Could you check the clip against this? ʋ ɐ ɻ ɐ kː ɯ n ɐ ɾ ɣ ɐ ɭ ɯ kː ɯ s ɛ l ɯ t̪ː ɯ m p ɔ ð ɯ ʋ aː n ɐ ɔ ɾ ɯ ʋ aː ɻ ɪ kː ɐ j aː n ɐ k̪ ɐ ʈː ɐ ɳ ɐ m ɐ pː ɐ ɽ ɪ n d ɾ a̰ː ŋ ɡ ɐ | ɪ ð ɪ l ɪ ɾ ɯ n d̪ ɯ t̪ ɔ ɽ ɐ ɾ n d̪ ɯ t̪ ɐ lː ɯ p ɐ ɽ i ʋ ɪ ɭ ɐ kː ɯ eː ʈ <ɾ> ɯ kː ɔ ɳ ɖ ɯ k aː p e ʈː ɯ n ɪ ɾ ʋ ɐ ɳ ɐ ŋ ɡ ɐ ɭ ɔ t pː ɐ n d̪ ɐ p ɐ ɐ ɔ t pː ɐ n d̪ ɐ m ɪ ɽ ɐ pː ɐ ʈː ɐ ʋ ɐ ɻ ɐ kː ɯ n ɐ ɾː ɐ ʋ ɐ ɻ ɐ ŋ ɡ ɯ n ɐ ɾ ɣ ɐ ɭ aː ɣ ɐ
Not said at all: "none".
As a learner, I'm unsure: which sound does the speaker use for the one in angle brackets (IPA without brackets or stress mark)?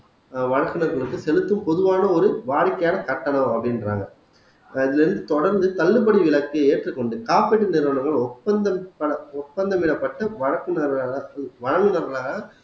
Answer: r